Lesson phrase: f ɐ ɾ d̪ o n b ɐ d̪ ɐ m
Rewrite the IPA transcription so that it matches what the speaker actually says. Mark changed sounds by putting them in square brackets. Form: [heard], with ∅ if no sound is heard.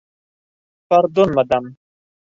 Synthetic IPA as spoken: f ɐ ɾ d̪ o n [m] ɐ d̪ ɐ m

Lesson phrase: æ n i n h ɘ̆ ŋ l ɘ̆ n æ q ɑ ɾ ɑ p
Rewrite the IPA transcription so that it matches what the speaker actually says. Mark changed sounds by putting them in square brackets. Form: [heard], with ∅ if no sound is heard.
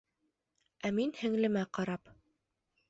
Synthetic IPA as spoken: æ [m] i n h ɘ̆ ŋ l ɘ̆ [m] æ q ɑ ɾ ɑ p

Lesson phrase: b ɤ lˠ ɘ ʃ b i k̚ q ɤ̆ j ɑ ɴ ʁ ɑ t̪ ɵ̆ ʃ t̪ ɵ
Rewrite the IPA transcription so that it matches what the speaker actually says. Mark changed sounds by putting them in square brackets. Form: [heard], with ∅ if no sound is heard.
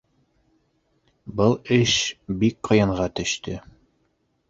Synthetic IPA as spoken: b ɤ lˠ ɘ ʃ b i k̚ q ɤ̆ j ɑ ɴ ʁ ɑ t̪ ɵ̆ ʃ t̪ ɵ

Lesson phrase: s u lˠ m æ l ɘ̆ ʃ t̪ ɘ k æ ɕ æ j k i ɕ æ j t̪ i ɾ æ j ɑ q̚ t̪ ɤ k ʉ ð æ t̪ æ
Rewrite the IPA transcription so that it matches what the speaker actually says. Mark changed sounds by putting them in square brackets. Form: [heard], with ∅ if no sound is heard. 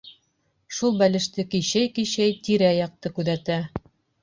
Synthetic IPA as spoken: [ʃ] u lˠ [b] æ l ɘ̆ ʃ t̪ ɘ k [i] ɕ æ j k i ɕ æ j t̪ i ɾ æ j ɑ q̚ t̪ ɤ k ʉ ð æ t̪ æ

